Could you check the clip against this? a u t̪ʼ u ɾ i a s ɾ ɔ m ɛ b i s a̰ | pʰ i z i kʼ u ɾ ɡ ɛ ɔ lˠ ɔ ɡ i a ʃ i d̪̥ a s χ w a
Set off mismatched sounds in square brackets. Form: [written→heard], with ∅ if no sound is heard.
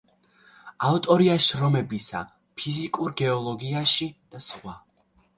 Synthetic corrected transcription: a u t̪ʼ [u→ɔ] ɾ i a [s→ʃ] ɾ ɔ m ɛ b i s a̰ | pʰ i z i kʼ u ɾ ɡ ɛ ɔ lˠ ɔ ɡ i a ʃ i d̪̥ a s χ w a